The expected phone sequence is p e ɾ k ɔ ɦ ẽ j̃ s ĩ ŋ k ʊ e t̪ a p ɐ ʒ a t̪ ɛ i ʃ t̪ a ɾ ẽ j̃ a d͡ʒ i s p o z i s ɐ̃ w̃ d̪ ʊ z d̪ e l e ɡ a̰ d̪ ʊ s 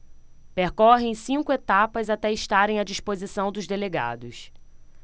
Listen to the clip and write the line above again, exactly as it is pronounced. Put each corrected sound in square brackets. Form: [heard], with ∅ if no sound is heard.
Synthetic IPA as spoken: p e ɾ k ɔ ɦ ẽ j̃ s ĩ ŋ k ʊ e t̪ a p ɐ [z] a t̪ ɛ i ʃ t̪ a ɾ ẽ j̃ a d͡ʒ i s p o z i s ɐ̃ w̃ d̪ ʊ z d̪ e l e ɡ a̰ d̪ ʊ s